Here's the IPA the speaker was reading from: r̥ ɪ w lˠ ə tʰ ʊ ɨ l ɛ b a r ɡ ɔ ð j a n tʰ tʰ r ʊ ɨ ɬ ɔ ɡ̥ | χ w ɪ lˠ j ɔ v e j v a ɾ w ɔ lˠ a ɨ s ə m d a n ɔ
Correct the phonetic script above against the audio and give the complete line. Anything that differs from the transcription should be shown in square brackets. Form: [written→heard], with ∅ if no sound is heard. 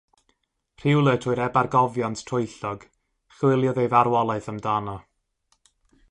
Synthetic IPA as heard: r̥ ɪ w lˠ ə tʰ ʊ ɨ [l→ɾ] ɛ b a r ɡ ɔ [ð→v] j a n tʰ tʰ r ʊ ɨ ɬ ɔ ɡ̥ | χ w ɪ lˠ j ɔ [v→ð] e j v a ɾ w ɔ lˠ a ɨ [s→θ] ə m d a n ɔ

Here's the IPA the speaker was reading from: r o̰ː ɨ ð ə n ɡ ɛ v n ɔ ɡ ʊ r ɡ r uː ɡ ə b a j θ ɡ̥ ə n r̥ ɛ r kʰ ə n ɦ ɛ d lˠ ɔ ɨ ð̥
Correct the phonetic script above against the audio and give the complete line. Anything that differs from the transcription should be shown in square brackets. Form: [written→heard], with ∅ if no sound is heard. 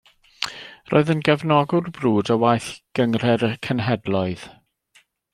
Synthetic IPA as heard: r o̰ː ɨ ð ə n ɡ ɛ v n ɔ ɡ ʊ r [ɡ→b] r uː [ɡ→d] ə [b→w] a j θ ɡ̥ ə [n→ŋ] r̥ ɛ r kʰ ə n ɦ ɛ d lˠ ɔ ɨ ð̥

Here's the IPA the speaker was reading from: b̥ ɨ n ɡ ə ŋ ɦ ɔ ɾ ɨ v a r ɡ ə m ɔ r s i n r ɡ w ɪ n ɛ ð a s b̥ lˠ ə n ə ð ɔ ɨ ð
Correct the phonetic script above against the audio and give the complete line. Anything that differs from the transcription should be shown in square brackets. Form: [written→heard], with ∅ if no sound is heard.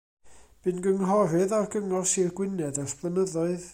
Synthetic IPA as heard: b̥ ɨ n ɡ ə ŋ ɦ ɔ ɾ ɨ [v→ð] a r ɡ ə [m→ŋ] ɔ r s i [n→∅] r ɡ w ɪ n ɛ ð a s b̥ lˠ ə n ə ð ɔ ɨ ð

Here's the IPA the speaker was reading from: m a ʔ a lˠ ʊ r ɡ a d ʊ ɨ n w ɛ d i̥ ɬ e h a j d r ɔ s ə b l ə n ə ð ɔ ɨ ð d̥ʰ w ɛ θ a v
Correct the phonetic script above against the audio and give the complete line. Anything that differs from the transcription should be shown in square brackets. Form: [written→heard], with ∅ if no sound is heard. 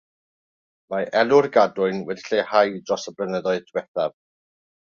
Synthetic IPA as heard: m a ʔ [a→ɛ] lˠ ʊ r ɡ a d ʊ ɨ n w ɛ d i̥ ɬ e h a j d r ɔ s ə b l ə n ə ð ɔ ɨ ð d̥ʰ w ɛ θ a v

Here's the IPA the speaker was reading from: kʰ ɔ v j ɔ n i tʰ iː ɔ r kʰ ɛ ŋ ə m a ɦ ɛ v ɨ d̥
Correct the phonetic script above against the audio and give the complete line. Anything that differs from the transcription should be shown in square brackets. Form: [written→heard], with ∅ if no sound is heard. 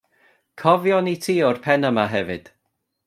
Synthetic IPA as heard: kʰ ɔ v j ɔ n i tʰ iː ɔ r [kʰ→pʰ] ɛ [ŋ→n] ə m a ɦ ɛ v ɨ d̥

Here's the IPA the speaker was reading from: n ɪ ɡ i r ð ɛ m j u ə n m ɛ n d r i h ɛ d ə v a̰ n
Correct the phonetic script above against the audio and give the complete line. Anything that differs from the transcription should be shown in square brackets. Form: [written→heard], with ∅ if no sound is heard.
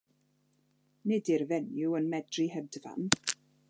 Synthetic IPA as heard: n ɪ [ɡ→d] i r [ð→v] ɛ [m→n] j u ə n m ɛ [n→∅] d r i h ɛ d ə v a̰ n

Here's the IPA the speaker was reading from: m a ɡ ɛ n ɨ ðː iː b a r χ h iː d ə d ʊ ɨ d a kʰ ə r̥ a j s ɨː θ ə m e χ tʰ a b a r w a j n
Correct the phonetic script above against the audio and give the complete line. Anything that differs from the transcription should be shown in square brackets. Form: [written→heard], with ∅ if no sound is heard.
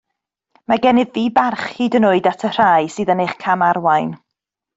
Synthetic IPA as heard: m a ɡ ɛ n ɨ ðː iː b a r χ h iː d ə [d→n] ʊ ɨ d a [kʰ→tʰ] ə r̥ a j s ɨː [θ→ð] ə [m→n] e χ [tʰ→kʰ] a [b→m] a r w a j n

